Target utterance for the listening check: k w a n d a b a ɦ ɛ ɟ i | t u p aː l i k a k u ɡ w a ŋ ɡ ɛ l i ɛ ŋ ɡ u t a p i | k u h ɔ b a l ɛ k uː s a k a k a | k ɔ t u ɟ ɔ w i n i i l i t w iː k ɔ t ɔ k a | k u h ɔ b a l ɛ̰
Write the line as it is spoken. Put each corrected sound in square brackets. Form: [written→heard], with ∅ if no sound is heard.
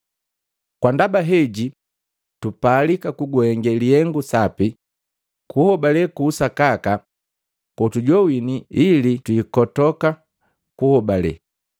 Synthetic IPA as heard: k w a n d a b a ɦ ɛ ɟ i | t u p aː l i k a k u ɡ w [a→ɛ] ŋ ɡ ɛ l i ɛ ŋ ɡ u [t→s] a p i | k u h ɔ b a l ɛ k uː s a k a k a | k ɔ t u ɟ ɔ w i n i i l i t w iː k ɔ t ɔ k a | k u h ɔ b a l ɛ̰